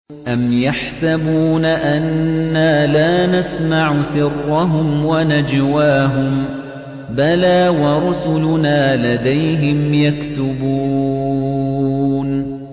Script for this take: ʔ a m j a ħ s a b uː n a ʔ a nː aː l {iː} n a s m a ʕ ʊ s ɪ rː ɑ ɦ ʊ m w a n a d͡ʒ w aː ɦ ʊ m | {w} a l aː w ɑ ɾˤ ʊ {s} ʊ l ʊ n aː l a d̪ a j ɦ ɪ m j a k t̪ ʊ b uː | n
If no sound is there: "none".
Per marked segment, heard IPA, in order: aː, b, s

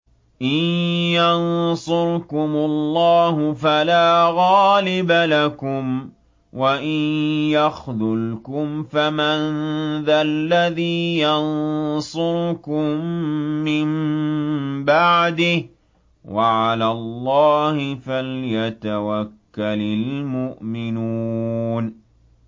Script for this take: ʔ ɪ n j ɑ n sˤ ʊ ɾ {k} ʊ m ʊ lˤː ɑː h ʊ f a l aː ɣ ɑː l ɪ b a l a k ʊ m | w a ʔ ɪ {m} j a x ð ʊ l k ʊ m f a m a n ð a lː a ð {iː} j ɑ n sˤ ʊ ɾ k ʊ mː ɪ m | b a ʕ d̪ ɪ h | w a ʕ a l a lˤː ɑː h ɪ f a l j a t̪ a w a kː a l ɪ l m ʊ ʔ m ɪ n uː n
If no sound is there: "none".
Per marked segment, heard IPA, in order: k, n, iː

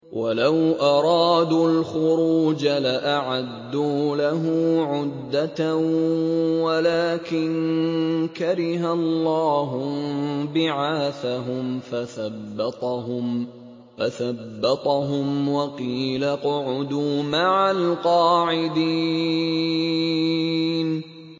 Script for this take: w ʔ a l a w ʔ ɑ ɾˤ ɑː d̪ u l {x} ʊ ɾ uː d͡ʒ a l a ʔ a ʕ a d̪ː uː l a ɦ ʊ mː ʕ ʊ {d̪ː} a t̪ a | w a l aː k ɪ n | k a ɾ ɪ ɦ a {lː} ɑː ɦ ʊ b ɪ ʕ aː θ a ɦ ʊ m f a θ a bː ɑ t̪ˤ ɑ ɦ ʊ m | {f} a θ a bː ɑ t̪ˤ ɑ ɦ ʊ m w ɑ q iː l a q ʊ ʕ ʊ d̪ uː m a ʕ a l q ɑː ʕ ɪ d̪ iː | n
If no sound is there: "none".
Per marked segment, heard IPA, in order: x, d̪ː, lː, f

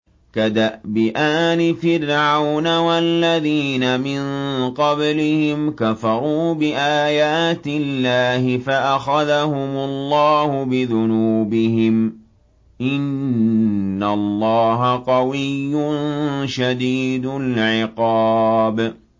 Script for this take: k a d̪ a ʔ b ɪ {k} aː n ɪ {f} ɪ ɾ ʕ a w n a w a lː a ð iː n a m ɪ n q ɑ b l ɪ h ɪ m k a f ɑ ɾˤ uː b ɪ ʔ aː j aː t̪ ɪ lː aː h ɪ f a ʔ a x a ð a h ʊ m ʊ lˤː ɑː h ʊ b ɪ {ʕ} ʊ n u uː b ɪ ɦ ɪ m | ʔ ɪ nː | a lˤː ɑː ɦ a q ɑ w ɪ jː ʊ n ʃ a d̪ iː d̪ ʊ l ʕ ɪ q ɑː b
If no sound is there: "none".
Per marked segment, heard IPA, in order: ʔ, f, ð

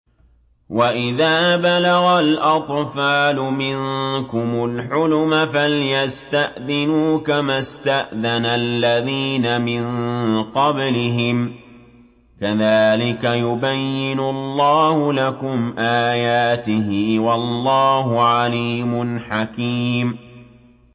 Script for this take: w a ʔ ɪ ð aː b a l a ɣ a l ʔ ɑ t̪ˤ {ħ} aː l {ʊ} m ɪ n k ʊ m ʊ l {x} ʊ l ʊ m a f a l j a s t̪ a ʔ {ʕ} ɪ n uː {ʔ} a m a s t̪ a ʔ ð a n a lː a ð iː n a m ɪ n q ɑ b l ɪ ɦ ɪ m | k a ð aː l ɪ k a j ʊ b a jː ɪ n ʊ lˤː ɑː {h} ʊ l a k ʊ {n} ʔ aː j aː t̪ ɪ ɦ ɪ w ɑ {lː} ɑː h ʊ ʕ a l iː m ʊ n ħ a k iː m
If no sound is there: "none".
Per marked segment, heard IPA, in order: f, ʊ, ħ, ð, k, h, m, lː

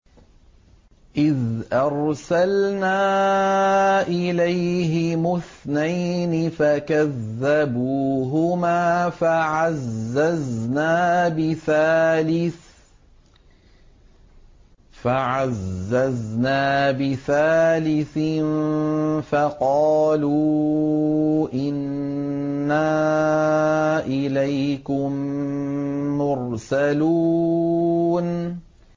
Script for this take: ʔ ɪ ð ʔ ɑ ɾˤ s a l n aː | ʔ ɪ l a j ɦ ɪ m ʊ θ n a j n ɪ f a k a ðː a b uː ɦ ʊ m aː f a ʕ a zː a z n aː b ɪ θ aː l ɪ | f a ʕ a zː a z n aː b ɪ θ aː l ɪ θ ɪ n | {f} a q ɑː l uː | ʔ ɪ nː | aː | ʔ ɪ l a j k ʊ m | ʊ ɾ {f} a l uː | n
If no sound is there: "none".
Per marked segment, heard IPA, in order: f, s

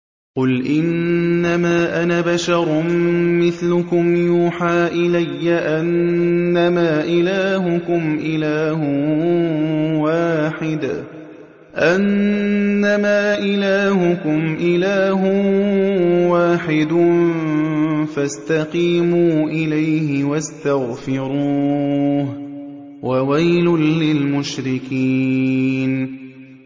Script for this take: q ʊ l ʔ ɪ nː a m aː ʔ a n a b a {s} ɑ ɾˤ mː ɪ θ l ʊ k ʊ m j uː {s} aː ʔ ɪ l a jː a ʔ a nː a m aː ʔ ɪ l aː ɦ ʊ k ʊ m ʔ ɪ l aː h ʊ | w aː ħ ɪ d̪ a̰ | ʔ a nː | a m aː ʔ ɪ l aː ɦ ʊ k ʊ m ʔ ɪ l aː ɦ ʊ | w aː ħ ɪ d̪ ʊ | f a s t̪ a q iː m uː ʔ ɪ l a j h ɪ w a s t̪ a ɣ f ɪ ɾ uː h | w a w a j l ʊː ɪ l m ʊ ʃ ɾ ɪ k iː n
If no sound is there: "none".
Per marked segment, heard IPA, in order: ʃ, ħ

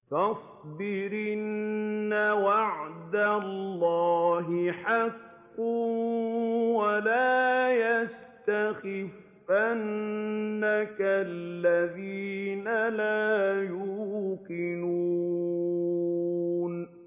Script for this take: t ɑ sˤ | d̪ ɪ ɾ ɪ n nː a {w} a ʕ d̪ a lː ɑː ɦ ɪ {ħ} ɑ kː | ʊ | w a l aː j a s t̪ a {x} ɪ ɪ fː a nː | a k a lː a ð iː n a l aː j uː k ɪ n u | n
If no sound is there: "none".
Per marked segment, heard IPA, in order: w, ħ, x

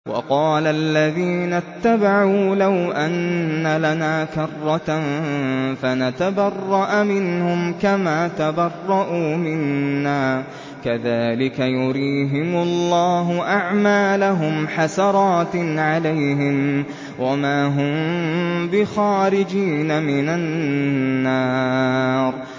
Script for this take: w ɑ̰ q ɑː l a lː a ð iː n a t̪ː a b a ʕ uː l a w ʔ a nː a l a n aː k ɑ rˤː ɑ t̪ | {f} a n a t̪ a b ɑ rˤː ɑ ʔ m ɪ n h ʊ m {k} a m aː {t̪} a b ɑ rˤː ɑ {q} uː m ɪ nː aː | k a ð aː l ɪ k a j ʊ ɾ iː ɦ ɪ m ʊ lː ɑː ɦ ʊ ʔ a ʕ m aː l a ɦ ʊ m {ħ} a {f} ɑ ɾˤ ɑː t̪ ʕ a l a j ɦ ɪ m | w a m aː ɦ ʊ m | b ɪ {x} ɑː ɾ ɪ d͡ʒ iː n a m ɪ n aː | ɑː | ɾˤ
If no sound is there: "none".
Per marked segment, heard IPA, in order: f, k, t̪, ʔ, ħ, s, x

